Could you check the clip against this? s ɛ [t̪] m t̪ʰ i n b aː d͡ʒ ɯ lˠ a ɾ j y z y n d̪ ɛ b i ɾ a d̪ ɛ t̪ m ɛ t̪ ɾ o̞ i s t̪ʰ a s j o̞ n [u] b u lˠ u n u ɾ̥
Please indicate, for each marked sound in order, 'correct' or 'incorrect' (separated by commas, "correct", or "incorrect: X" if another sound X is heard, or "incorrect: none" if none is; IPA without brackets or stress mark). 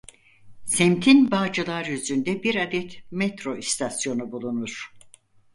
incorrect: none, correct